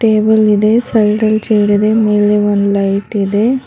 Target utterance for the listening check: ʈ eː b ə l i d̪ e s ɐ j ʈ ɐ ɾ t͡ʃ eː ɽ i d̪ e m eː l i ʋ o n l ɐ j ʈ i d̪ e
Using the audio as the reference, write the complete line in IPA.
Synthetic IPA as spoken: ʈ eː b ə l i d̪ e s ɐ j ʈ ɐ l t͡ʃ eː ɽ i d̪ e m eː l e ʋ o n l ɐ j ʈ i d̪ e